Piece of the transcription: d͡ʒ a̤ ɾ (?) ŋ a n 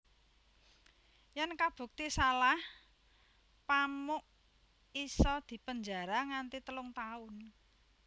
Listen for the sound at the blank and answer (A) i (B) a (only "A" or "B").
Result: B